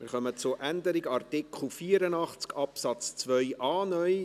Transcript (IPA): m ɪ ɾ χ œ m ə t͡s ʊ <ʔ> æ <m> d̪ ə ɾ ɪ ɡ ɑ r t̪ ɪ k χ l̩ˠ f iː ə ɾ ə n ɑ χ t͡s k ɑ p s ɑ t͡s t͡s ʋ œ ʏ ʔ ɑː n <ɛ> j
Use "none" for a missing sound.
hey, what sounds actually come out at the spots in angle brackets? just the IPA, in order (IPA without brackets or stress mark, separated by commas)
ʔ, n, œ